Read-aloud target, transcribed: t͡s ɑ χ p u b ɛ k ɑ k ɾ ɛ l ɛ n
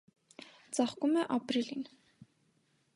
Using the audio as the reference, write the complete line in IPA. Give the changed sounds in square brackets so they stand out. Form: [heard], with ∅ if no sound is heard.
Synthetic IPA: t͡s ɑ χ [k] u [m] ɛ [ʔ] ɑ [p] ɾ [i] l [i] n